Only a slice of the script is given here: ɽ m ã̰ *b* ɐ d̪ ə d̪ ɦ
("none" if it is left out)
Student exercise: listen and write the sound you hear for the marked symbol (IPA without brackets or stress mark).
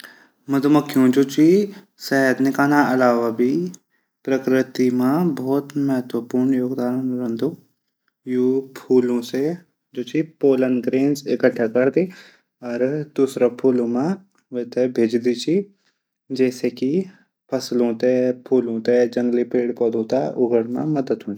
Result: m